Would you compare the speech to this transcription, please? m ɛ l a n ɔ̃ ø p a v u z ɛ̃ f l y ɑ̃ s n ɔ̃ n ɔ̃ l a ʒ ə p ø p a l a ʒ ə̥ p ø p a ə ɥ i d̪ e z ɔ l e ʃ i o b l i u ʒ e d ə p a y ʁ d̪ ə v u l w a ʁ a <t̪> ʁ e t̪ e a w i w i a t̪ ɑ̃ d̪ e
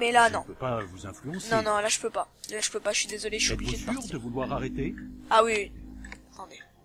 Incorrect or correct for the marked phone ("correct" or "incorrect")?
incorrect